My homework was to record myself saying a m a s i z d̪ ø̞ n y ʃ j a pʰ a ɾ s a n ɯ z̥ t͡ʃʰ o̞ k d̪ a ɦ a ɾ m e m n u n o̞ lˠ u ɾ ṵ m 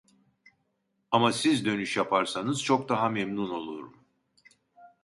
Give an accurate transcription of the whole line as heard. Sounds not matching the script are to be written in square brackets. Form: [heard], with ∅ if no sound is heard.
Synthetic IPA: a m a s i z d̪ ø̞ n y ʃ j a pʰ a ɾ s a n ɯ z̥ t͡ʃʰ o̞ k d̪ a ɦ a [∅] m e m n u n o̞ lˠ u ɾ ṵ m